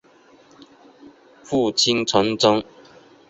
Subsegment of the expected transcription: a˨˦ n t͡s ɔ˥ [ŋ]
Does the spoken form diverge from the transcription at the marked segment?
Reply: no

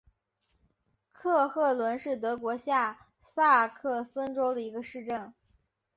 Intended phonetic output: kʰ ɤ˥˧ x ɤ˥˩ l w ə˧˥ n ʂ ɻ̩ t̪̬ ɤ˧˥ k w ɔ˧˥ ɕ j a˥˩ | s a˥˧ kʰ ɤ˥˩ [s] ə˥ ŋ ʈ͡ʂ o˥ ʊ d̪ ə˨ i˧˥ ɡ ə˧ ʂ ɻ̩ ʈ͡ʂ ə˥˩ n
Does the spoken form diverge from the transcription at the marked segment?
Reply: no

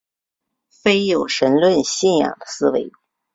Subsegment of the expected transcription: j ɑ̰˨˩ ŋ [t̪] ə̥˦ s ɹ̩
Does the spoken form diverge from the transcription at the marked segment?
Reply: yes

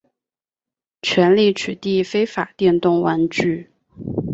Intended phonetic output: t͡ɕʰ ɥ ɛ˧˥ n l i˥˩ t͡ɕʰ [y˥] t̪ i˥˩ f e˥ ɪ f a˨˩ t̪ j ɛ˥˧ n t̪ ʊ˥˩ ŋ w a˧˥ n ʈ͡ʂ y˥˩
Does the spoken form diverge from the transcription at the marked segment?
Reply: yes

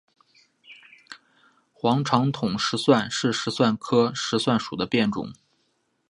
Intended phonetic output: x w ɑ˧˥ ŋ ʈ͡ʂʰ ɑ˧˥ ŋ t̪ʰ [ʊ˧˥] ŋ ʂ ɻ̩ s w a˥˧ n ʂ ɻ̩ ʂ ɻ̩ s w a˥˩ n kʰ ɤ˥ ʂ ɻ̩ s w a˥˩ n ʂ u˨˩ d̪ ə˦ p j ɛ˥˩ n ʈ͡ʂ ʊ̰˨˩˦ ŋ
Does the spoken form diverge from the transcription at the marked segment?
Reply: yes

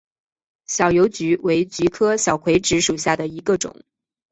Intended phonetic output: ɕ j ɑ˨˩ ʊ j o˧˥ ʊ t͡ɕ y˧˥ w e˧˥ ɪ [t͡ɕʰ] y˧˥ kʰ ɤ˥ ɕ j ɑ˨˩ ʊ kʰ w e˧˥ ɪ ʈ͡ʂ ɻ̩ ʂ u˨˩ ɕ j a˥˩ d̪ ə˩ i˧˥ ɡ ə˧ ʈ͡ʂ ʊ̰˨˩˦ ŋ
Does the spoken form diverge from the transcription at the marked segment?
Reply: yes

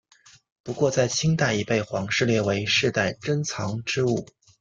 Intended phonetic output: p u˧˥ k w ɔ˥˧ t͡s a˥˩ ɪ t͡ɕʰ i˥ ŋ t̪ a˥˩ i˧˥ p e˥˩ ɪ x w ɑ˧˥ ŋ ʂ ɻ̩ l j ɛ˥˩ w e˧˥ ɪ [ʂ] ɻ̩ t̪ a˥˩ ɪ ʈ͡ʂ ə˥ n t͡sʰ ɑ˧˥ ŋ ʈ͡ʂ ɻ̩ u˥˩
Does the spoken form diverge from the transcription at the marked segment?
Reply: no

